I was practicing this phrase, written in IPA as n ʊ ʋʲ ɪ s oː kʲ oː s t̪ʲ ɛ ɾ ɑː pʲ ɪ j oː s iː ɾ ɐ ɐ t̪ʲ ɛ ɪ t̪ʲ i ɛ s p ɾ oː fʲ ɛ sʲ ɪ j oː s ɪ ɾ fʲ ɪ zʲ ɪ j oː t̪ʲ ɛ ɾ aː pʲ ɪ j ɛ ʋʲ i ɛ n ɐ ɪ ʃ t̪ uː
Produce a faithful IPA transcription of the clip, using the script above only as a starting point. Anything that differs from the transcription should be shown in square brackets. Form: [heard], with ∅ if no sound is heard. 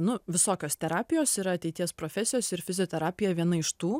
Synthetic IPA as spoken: n ʊ ʋʲ ɪ s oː kʲ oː s t̪ʲ ɛ ɾ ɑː pʲ ɪ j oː s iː ɾ ɐ ɐ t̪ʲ ɛ ɪ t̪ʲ i ɛ s p ɾ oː fʲ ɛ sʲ ɪ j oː s ɪ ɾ fʲ ɪ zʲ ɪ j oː t̪ʲ ɛ ɾ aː pʲ ɪ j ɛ ʋʲ i ɛ n ɐ ɪ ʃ t̪ uː